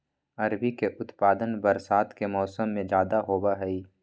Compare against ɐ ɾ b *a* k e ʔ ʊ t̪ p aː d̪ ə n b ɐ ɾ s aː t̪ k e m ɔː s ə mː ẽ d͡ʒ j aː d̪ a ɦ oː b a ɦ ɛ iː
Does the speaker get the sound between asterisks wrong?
yes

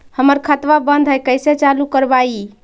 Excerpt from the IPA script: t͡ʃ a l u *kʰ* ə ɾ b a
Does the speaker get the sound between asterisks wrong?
yes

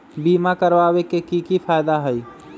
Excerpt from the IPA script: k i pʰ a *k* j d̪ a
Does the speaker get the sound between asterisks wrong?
yes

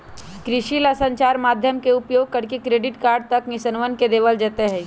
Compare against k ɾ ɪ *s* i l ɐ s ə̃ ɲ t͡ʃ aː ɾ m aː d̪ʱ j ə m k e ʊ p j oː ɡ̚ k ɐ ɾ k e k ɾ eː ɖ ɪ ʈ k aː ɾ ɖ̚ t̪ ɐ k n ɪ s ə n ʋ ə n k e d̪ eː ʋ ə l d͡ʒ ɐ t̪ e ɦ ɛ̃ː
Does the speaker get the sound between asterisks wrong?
yes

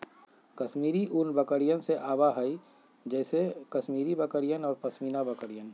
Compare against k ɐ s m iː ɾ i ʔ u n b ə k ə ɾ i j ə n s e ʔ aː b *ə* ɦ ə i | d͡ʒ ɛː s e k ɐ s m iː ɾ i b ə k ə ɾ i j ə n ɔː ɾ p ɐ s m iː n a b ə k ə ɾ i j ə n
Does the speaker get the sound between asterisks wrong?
yes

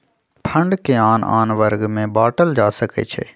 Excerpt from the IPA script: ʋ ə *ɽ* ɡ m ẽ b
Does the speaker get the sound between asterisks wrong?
yes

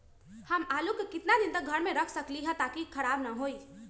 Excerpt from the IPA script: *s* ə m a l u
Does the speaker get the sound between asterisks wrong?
yes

